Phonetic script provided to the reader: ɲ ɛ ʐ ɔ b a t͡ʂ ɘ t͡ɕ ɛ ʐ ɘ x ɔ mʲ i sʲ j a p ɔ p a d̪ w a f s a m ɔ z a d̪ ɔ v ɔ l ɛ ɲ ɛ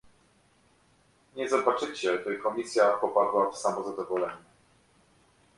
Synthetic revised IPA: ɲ ɛ z ɔ b a t͡ʂ ɘ t͡ɕ ɛ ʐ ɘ k ɔ mʲ i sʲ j a p ɔ p a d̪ w a f s a m ɔ z a d̪ ɔ v ɔ l ɛ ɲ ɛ